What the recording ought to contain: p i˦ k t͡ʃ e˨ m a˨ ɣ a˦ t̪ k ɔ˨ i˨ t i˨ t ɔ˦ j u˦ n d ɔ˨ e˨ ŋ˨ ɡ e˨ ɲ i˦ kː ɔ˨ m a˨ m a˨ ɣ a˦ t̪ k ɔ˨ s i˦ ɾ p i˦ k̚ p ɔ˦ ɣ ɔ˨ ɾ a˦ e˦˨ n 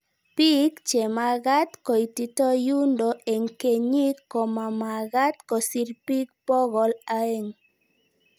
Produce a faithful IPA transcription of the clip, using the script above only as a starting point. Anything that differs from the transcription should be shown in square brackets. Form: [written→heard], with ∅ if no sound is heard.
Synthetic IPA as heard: p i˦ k t͡ʃ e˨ m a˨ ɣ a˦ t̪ k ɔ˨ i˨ t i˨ t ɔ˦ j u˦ n d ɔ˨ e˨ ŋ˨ [ɡ→k] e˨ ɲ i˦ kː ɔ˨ m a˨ m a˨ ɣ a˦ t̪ k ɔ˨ s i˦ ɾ p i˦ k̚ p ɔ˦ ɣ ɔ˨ [ɾ→l] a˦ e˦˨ [n→ŋ]